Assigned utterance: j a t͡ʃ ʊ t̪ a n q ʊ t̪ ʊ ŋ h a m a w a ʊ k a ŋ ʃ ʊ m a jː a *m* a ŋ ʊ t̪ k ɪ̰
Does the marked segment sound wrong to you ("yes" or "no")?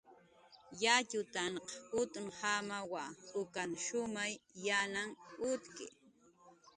yes